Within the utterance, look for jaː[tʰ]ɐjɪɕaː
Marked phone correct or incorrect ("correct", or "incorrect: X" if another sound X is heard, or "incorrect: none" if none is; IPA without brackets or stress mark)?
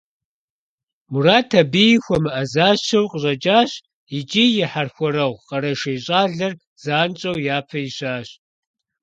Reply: incorrect: pʰ